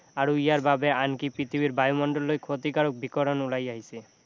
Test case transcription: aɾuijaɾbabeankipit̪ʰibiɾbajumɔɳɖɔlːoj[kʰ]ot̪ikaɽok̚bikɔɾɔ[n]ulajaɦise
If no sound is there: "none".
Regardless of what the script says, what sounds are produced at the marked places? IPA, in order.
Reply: kʰ, n

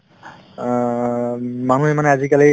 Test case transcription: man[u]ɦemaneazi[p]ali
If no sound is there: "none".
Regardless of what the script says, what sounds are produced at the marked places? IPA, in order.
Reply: u, k

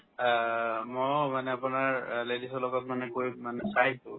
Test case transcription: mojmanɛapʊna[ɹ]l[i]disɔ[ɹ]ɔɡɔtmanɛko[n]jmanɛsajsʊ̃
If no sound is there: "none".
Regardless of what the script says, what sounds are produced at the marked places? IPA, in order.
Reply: ɹ, e, l, none

